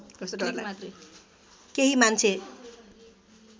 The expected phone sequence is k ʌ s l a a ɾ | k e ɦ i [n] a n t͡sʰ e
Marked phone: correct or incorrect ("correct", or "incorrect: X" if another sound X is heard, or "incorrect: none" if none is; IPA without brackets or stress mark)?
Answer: incorrect: m